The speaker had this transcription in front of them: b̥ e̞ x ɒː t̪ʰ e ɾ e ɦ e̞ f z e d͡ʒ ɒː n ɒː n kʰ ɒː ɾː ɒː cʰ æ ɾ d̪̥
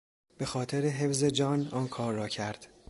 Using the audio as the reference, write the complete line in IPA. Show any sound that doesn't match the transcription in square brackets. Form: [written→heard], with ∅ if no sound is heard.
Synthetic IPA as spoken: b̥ e̞ x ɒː t̪ʰ e ɾ e ɦ e̞ f z e d͡ʒ ɒː n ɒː n kʰ ɒː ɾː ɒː cʰ æ ɾ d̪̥

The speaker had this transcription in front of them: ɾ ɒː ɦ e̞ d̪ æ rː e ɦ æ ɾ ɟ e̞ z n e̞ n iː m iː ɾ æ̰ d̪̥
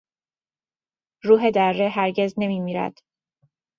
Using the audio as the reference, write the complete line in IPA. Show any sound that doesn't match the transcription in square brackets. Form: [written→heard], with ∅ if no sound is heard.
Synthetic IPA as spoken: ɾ [ɒː→uː] ɦ e̞ d̪ æ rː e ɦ æ ɾ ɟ e̞ z n e̞ [n→m] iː m iː ɾ æ̰ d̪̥

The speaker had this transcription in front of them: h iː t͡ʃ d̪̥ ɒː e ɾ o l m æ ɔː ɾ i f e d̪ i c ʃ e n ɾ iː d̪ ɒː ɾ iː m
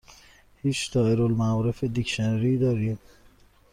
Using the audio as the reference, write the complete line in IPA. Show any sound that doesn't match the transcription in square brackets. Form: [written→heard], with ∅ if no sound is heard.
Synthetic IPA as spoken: h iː t͡ʃ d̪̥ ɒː e ɾ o l m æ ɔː ɾ [i→e] f e d̪ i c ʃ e n ɾ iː d̪ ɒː ɾ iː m

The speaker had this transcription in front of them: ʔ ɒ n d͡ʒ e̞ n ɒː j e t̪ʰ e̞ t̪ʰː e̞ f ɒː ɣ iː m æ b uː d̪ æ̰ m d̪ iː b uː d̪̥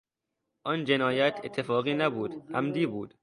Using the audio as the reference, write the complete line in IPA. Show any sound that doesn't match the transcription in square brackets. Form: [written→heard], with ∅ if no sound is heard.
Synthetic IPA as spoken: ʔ ɒ n d͡ʒ e̞ n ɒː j [e→æ] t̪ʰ e̞ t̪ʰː e̞ f ɒː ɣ iː [m→n] æ b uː d̪ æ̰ m d̪ iː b uː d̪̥

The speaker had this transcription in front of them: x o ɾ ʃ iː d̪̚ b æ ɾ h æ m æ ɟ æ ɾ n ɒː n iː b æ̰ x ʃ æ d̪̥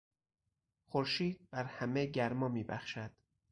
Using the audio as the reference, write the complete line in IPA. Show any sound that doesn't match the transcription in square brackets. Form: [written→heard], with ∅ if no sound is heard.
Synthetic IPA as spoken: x o ɾ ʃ iː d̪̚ b æ ɾ h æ m [æ→e] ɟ æ ɾ [n→m] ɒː [n→m] iː b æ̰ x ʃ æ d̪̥

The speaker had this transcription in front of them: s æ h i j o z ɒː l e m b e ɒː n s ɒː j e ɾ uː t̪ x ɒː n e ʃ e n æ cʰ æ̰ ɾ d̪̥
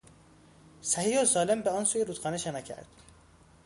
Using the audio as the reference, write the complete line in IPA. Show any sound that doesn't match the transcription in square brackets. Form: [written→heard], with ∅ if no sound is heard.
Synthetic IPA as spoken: s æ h i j o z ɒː l e m b e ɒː n s [ɒː→uː] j e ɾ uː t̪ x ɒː n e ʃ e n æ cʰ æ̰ ɾ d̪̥

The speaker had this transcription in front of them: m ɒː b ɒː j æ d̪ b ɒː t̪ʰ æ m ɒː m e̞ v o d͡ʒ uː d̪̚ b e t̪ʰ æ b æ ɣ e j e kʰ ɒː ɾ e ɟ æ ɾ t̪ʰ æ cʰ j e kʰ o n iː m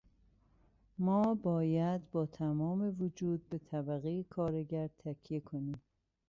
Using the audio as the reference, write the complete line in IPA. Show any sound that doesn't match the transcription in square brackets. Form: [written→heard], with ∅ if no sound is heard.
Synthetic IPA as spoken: m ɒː b ɒː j æ d̪ b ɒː t̪ʰ æ m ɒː m e̞ v o d͡ʒ uː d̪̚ b e t̪ʰ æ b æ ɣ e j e kʰ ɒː ɾ e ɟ æ ɾ t̪ʰ æ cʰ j e kʰ o n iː m

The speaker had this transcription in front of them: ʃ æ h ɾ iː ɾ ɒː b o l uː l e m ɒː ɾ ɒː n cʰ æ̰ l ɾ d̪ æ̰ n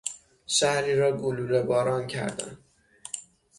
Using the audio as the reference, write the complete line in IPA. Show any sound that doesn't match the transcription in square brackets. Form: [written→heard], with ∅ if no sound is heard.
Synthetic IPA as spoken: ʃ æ h ɾ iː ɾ ɒː [b→ɡ] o l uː [l→ɾ] e [m→b] ɒː ɾ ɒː n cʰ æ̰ [l→∅] ɾ d̪ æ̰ n

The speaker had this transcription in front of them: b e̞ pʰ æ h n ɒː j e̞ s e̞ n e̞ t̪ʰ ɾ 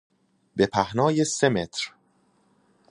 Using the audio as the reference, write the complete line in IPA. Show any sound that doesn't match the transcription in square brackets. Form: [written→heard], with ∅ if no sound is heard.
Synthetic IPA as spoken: b e̞ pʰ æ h n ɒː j e̞ s e̞ [n→m] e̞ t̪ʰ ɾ

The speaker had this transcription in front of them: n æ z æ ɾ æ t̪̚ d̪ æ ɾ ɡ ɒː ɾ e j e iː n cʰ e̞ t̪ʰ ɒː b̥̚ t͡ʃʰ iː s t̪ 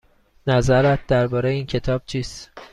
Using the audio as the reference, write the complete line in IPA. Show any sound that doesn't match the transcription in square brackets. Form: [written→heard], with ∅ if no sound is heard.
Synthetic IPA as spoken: n æ z æ ɾ æ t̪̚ d̪ æ ɾ [ɡ→b] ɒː ɾ e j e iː n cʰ e̞ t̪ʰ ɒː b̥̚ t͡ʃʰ iː s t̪

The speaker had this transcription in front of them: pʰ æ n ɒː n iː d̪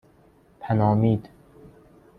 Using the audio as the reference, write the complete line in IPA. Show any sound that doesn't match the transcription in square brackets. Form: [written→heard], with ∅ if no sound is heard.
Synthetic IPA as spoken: pʰ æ n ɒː [n→m] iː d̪

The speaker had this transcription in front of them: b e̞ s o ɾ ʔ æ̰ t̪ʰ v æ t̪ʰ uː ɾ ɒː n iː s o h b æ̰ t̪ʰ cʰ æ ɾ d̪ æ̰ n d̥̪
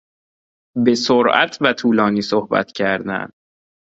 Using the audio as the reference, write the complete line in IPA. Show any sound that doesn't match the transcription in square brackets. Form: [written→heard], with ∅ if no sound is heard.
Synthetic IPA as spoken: b e̞ s o ɾ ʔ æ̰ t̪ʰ v æ t̪ʰ uː [ɾ→l] ɒː n iː s o h b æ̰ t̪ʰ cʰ æ ɾ d̪ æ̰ n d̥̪

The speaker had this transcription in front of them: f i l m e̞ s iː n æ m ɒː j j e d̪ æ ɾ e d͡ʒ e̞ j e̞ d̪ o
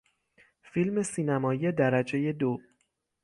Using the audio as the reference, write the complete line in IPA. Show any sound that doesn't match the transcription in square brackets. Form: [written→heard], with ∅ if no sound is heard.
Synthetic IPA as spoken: f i l m e̞ s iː n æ m ɒː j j e d̪ æ ɾ [e→æ] d͡ʒ e̞ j e̞ d̪ o

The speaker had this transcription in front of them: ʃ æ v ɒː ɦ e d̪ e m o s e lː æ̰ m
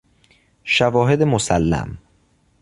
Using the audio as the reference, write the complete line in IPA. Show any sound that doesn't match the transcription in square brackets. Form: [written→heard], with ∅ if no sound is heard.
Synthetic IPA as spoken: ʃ æ v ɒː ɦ e d̪ e m o s [e→æ] lː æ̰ m

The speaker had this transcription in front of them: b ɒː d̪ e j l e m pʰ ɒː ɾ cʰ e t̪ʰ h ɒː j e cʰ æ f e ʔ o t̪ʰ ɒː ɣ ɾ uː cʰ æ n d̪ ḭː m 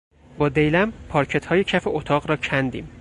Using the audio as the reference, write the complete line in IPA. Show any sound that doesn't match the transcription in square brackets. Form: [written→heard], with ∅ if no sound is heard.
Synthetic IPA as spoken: b ɒː d̪ e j l [e→æ] m pʰ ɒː ɾ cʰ e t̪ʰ h ɒː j e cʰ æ f e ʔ o t̪ʰ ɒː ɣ ɾ [uː→ɒː] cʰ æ n d̪ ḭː m

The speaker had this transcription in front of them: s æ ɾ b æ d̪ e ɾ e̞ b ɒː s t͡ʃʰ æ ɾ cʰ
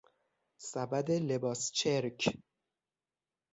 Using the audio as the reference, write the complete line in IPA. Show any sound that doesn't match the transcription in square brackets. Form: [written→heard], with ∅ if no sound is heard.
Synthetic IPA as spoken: s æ [ɾ→∅] b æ d̪ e [ɾ→l] e̞ b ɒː s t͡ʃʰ [æ→e] ɾ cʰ

